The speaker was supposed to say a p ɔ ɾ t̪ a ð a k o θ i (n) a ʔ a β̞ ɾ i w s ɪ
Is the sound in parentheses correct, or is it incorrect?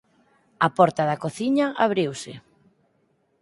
incorrect